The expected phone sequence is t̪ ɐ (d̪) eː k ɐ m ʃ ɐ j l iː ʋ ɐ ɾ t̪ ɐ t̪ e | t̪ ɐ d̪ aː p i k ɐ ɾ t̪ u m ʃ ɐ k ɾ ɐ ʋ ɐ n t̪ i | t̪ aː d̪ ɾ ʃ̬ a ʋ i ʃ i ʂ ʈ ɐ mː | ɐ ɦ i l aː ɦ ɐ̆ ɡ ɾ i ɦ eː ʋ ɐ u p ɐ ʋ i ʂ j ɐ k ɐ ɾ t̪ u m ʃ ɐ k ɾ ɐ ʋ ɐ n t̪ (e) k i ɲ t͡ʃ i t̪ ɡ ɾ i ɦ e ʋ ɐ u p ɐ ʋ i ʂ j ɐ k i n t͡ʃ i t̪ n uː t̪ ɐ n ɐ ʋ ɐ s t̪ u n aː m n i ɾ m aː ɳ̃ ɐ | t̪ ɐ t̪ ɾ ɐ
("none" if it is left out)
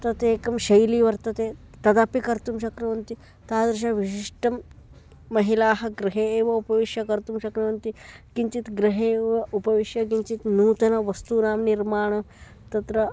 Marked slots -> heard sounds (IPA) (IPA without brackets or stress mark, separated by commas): t̪, i